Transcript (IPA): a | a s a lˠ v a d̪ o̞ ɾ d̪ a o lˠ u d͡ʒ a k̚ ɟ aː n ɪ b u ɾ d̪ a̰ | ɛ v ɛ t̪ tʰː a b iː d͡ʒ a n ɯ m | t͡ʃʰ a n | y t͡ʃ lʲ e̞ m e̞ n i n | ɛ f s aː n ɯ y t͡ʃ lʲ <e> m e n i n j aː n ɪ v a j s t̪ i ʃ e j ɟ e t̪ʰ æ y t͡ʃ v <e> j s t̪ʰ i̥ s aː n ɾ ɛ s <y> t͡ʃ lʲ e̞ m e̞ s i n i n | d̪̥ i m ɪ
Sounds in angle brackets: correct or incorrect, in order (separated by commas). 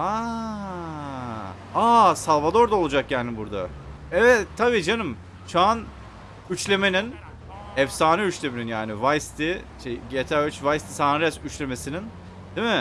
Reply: correct, incorrect, correct